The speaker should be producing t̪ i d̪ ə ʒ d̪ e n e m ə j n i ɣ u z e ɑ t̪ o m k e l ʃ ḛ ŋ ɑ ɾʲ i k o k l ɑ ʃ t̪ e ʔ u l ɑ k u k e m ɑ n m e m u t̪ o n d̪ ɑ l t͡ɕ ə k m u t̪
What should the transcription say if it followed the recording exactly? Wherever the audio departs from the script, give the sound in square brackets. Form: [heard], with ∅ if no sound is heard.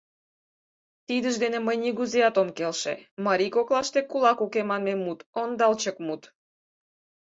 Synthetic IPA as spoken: t̪ i d̪ ə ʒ d̪ e n e m ə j n i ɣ u z e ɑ t̪ o m k e l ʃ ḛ [m] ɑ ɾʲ i k o k l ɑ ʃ t̪ e [k] u l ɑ k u k e m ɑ n m e m u t̪ o n d̪ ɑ l t͡ɕ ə k m u t̪